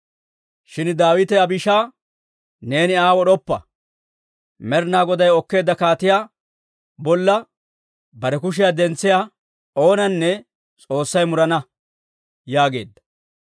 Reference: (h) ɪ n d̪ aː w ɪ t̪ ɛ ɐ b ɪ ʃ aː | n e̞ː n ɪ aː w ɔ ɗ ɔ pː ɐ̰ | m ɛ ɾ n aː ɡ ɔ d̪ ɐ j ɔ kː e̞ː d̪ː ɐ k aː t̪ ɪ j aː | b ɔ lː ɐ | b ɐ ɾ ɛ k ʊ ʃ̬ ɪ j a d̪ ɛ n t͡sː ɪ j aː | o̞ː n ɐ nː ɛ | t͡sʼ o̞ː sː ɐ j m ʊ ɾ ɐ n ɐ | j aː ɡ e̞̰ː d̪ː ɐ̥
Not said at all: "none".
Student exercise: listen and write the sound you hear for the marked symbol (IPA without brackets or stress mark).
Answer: ʃ